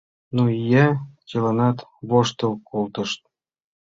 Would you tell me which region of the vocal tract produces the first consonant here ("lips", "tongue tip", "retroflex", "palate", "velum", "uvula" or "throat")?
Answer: tongue tip